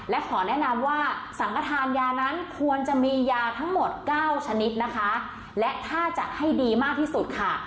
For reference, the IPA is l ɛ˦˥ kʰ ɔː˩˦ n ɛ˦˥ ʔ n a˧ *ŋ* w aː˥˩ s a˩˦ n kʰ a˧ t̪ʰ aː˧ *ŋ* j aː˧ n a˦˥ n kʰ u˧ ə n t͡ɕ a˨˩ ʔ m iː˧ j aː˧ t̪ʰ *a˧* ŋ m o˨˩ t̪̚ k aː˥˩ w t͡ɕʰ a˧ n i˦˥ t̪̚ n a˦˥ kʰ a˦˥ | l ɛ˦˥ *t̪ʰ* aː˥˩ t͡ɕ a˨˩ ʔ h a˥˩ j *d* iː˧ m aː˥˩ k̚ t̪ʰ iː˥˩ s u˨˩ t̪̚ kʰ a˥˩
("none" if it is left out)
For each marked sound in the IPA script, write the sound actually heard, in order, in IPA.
m, n, a˦˥, t̪ʰ, d

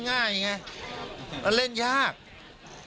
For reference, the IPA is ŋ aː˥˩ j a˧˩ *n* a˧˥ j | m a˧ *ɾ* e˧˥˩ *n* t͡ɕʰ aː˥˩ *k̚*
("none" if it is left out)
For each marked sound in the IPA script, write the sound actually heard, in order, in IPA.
ŋ, l, n, k̚

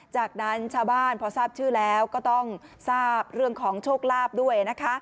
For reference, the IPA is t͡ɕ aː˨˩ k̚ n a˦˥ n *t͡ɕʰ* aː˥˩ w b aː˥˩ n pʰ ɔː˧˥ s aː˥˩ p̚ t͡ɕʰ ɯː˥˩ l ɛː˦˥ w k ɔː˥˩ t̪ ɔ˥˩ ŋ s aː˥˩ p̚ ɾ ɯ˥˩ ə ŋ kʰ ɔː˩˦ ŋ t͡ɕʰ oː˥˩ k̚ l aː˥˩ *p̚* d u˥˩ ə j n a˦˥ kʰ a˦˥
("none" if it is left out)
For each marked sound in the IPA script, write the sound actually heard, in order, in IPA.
t͡ɕʰ, p̚

